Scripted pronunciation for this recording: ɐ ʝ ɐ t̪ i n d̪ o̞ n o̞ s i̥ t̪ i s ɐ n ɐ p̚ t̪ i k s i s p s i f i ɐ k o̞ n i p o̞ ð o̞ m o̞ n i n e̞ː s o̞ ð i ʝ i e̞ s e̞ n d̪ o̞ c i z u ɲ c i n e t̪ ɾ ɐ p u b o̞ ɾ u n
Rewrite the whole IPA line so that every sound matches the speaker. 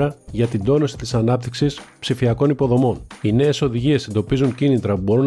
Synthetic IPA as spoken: ɐ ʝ ɐ t̪ i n d̪ o̞ n o̞ s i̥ t̪ i s ɐ n ɐ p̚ t̪ i k s i s p s i f i ɐ k o̞ n i p o̞ ð o̞ m o̞ n i n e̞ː s o̞ ð i ʝ i e̞ s e̞ n d̪ o̞ p i z u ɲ c i n i t̪ ɾ ɐ p u b o̞ ɾ u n